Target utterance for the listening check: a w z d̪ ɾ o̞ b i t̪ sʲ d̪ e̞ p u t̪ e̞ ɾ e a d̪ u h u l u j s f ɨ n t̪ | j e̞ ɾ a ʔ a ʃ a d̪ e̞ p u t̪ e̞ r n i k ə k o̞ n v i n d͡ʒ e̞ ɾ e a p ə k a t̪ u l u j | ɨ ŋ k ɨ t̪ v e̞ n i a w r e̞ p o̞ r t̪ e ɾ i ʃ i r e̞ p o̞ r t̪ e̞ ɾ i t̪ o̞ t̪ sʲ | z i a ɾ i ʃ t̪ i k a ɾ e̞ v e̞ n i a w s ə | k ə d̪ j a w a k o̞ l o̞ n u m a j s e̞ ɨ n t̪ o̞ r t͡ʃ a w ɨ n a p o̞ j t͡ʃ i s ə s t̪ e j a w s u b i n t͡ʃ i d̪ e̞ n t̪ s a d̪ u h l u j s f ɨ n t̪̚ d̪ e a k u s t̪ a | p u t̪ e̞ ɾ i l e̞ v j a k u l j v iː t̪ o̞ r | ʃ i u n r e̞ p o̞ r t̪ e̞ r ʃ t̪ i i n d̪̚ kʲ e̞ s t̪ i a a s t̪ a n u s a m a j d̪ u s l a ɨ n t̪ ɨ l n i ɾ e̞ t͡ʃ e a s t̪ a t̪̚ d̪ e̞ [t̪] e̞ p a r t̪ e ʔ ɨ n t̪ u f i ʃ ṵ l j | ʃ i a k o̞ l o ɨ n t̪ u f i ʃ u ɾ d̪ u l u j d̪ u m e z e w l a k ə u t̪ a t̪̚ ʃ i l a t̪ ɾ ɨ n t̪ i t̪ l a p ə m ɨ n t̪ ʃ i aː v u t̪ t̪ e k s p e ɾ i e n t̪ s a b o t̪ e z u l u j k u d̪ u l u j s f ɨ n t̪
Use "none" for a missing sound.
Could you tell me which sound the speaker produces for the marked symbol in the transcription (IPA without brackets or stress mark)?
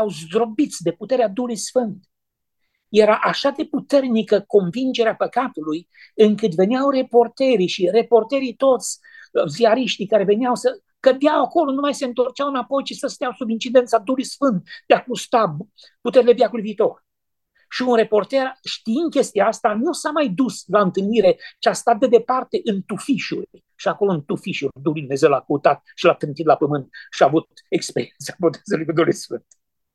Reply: d̪